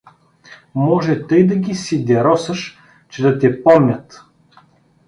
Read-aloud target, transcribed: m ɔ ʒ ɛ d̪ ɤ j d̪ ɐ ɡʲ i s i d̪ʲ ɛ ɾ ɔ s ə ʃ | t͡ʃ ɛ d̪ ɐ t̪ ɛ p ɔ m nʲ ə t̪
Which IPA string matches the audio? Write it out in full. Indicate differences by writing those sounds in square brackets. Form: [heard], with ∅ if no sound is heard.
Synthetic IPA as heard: m ɔ ʒ ɛ [t̪] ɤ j d̪ ɐ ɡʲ i s i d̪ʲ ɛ ɾ ɔ s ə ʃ | t͡ʃ ɛ d̪ ɐ t̪ ɛ p ɔ m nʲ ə t̪